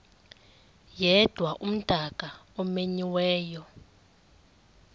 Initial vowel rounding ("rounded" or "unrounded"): unrounded